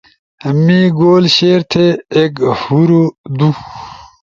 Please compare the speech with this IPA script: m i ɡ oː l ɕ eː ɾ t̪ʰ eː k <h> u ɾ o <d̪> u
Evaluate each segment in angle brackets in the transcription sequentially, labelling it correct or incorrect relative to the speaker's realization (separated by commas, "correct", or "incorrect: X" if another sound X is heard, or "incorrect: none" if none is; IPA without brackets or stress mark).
correct, correct